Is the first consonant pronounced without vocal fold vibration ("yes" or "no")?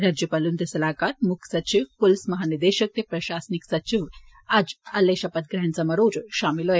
no